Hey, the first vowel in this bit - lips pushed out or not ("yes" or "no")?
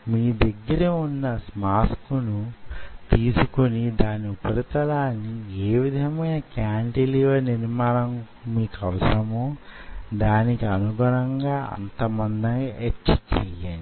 no